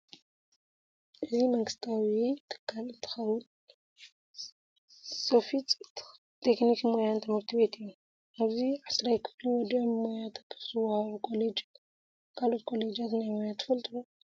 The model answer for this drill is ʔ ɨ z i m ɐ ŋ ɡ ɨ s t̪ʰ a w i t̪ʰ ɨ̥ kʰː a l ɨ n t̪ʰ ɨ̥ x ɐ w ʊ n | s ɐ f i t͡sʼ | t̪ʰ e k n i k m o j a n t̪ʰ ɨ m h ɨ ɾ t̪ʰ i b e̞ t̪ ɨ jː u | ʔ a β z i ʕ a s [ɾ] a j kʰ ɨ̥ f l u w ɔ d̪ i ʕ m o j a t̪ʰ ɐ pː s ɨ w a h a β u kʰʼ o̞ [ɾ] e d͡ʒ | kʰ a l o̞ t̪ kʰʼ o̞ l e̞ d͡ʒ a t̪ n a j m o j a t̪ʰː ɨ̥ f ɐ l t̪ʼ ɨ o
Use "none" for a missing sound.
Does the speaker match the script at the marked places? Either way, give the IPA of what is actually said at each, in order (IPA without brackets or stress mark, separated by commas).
ɾ, l